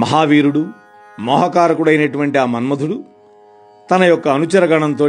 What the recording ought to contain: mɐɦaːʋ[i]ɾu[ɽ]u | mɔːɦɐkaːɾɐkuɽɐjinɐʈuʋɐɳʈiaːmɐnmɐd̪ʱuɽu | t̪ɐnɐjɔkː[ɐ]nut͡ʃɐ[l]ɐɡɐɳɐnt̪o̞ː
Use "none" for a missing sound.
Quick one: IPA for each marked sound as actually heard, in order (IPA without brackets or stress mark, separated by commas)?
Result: iː, ɽ, ɐː, ɾ